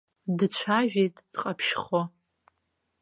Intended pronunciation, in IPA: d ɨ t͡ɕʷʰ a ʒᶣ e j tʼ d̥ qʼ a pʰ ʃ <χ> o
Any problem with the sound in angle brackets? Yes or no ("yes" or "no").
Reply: no